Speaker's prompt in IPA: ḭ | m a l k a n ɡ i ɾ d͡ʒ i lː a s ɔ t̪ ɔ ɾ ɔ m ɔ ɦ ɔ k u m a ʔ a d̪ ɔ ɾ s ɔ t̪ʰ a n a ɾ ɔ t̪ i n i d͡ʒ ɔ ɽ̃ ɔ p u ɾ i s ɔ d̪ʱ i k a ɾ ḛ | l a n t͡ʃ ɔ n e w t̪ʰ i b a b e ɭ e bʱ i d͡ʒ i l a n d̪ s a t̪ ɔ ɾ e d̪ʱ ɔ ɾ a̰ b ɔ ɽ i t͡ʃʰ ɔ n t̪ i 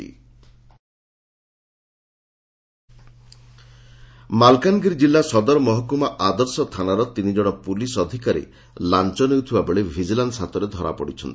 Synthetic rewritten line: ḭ | m a l k a n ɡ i ɾ d͡ʒ i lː a s ɔ d̪ ɔ ɾ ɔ m ɔ ɦ ɔ k u m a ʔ a d̪ ɔ ɾ s ɔ t̪ʰ a n a ɾ ɔ t̪ i n i d͡ʒ ɔ ɽ̃ ɔ p u l i s ɔ d̪ʱ i k a ɾ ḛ | l a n t͡ʃ ɔ n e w t̪ʰ i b a b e ɭ e bʱ i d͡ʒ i l a n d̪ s a t̪ ɔ ɾ e d̪ʱ ɔ ɾ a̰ p ɔ ɽ i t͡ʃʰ ɔ n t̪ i

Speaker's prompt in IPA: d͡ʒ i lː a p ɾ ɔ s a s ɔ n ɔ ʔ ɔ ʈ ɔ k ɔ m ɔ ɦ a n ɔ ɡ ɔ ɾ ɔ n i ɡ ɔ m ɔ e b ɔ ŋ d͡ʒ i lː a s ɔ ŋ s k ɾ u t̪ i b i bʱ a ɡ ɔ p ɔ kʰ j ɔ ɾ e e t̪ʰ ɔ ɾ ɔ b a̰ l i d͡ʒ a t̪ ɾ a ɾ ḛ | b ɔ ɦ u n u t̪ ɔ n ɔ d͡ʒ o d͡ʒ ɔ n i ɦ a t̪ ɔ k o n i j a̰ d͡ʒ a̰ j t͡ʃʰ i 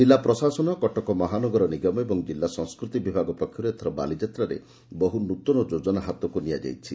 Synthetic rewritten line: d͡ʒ i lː a p ɾ ɔ s a s ɔ n ɔ k ɔ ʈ ɔ k ɔ m ɔ ɦ a n ɔ ɡ ɔ ɾ ɔ n i ɡ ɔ m ɔ e b ɔ ŋ d͡ʒ i lː a s ɔ ŋ s k ɾ u t̪ i b i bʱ a ɡ ɔ p ɔ kʰ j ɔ ɾ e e t̪ʰ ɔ ɾ ɔ b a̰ l i d͡ʒ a t̪ ɾ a ɾ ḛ | b ɔ ɦ u n u t̪ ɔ n ɔ d͡ʒ o d͡ʒ ɔ n a ɦ a t̪ ɔ k u n i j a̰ d͡ʒ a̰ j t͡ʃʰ i

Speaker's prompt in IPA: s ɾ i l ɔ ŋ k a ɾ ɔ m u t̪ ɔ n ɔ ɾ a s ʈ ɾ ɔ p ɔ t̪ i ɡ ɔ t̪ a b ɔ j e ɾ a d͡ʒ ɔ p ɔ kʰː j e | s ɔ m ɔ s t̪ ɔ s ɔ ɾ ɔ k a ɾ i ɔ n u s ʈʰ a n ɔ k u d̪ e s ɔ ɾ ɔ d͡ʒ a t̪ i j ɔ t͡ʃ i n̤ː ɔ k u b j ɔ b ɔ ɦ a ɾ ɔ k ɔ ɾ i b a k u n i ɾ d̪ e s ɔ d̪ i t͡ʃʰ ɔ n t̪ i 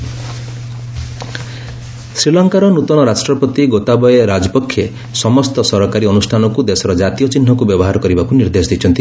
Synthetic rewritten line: s ɾ i l ɔ ŋ k a ɾ ɔ n u t̪ ɔ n ɔ ɾ a s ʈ ɾ ɔ p ɔ t̪ i ɡ o t̪ a b ɔ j e ɾ a d͡ʒ ɔ p ɔ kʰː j e | s ɔ m ɔ s t̪ ɔ s ɔ ɾ ɔ k a ɾ i ɔ n u s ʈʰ a n ɔ k u d̪ e s ɔ ɾ ɔ d͡ʒ a t̪ i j ɔ t͡ʃ i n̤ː ɔ k u b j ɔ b ɔ ɦ a ɾ ɔ k ɔ ɾ i b a k u n i ɾ d̪ e s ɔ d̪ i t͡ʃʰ ɔ n t̪ i

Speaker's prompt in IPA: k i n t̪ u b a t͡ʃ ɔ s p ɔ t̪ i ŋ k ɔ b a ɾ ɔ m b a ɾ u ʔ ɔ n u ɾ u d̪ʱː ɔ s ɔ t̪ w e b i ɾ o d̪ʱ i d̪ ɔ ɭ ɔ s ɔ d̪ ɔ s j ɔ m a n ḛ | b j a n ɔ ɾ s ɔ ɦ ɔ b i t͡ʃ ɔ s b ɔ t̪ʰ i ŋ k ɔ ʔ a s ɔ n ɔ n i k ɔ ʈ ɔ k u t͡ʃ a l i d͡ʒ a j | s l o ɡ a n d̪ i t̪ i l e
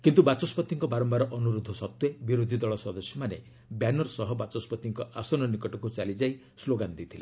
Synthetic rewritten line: k i n t̪ u b a t͡ʃ ɔ s p ɔ t̪ i ŋ k ɔ b a ɾ ɔ m b a ɾ ɔ ʔ ɔ n u ɾ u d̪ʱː ɔ s ɔ t̪ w e b i ɾ o d̪ʱ i d̪ ɔ ɭ ɔ s ɔ d̪ ɔ s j ɔ m a n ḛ | b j a n ɔ ɾ s ɔ ɦ ɔ b a t͡ʃ ɔ s p ɔ t̪ i ŋ k ɔ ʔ a s ɔ n ɔ n i k ɔ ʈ ɔ k u t͡ʃ a l i d͡ʒ a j | s l o ɡ a n d̪ i t̪ʰ i l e

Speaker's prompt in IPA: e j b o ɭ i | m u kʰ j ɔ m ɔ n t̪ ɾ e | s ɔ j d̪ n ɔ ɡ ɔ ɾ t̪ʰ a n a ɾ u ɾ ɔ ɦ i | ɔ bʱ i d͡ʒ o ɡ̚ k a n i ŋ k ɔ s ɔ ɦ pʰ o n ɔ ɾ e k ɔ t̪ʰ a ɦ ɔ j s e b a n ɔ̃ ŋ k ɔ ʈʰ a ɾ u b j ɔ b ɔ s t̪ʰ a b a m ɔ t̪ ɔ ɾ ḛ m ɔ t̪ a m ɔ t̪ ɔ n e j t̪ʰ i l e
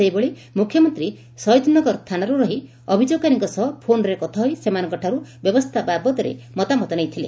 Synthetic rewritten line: e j b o ɭ i | m u kʰ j ɔ m ɔ n t̪ ɾ i | s ɔ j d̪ n ɔ ɡ ɔ ɾ t̪ʰ a n a ɾ u ɾ ɔ ɦ i | ɔ bʱ i d͡ʒ o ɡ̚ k a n i ŋ k ɔ s ɔ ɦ pʰ o n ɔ ɾ e k ɔ t̪ʰ a ɦ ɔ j s e m a n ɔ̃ ŋ k ɔ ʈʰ a ɾ u b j ɔ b ɔ s t̪ʰ a b a b ɔ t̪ ɔ ɾ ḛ m ɔ t̪ a m ɔ t̪ ɔ n e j t̪ʰ i l e

